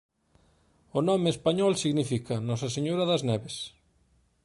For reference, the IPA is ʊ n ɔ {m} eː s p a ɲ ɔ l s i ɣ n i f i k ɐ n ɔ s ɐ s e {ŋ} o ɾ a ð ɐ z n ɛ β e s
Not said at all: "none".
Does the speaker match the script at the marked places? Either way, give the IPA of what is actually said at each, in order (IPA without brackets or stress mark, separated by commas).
m, ɲ